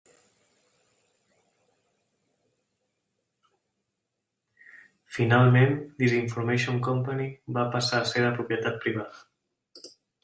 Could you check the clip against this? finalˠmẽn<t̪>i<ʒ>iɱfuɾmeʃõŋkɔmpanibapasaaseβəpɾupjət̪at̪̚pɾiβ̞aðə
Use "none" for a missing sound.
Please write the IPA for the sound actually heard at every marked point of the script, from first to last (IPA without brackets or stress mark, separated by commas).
d̪, z